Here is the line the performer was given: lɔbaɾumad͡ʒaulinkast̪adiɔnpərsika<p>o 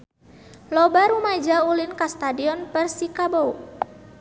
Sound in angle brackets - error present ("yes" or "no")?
yes